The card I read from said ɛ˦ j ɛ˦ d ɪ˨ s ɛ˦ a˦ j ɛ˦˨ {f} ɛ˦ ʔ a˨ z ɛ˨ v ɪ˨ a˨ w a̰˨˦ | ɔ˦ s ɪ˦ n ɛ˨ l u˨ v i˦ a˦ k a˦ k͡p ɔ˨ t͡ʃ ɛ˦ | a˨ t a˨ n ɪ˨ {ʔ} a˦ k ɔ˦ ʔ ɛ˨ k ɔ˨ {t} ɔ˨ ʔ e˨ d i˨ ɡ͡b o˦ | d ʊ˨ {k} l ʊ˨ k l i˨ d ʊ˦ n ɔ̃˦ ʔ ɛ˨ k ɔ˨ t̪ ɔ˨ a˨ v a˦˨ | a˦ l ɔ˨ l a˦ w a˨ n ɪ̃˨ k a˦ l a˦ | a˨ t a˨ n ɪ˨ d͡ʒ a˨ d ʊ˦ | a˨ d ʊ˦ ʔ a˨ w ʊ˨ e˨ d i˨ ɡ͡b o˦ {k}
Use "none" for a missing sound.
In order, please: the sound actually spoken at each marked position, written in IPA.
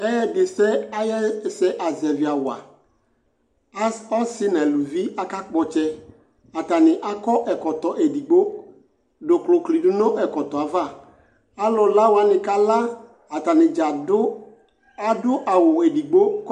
s, ʔ, t, k, k

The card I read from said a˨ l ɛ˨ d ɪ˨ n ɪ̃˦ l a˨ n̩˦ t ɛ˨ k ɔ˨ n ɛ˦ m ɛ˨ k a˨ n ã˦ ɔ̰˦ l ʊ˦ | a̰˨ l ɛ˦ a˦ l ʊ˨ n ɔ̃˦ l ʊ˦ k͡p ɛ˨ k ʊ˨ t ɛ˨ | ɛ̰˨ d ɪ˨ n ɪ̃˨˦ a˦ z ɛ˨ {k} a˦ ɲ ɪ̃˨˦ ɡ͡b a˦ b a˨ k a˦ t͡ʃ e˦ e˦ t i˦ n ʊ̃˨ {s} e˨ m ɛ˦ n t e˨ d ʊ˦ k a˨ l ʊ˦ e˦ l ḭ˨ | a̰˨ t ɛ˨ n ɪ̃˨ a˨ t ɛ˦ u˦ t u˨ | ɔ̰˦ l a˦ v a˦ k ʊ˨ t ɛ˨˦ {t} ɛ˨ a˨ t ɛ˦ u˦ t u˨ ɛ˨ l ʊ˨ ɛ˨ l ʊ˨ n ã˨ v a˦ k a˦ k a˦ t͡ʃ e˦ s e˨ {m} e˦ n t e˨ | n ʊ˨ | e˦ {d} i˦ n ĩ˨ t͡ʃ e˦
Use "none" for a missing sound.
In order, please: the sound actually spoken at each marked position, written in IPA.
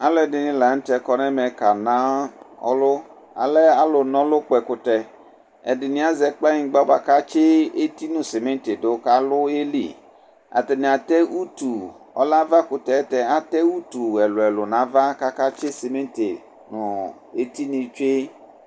k͡p, s, t, m, t

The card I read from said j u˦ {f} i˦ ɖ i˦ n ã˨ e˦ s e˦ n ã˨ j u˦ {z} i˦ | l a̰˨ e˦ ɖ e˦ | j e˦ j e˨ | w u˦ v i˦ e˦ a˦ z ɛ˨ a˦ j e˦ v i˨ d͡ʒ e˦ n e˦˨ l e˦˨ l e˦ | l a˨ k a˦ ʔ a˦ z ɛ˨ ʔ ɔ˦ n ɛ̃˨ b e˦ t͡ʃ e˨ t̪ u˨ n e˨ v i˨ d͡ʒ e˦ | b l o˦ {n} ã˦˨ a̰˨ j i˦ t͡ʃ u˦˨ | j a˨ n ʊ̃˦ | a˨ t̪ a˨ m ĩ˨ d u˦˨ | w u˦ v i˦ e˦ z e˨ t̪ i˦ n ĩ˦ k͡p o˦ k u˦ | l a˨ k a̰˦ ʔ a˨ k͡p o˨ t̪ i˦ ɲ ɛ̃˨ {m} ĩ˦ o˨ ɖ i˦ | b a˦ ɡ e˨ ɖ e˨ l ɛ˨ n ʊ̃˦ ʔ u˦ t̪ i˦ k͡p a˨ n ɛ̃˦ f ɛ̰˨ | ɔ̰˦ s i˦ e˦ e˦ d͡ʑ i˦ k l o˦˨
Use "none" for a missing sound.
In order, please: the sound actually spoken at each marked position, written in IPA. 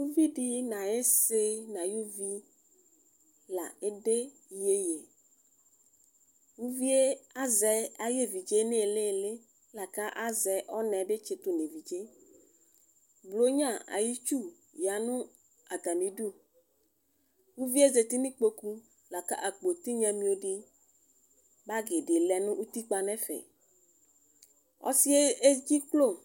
v, v, ɲ, m

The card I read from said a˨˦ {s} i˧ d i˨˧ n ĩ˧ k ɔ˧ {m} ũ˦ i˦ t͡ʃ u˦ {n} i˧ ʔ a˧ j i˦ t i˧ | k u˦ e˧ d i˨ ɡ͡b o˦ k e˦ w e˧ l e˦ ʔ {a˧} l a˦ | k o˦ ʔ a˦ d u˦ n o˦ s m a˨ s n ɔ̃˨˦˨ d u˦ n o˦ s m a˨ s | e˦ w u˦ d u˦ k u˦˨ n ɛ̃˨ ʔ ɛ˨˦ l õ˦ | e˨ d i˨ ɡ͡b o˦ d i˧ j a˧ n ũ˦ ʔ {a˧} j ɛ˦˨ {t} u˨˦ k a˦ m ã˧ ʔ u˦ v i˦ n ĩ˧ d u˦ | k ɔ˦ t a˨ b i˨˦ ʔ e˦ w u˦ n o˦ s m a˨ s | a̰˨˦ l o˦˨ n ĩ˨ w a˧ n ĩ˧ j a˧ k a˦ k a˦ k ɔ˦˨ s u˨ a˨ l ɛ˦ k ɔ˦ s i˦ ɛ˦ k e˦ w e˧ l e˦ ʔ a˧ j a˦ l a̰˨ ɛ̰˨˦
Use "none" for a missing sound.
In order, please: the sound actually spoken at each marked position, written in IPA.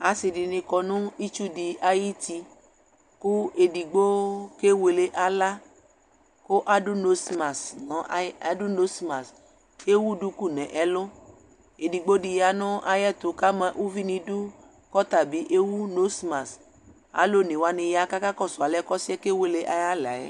s, n, d, a˧, a˧, t

